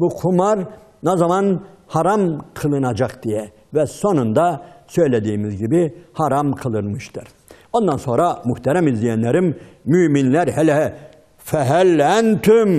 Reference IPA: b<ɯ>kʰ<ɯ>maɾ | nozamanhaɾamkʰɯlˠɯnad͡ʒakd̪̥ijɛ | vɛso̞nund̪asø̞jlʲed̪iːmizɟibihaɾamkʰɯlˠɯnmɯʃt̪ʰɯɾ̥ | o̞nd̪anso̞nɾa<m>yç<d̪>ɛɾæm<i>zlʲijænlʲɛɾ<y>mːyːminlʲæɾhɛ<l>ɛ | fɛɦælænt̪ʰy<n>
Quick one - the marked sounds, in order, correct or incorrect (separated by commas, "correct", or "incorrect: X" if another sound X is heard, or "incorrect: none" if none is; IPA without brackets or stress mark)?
incorrect: u, incorrect: u, correct, incorrect: t̪, correct, incorrect: i, correct, incorrect: m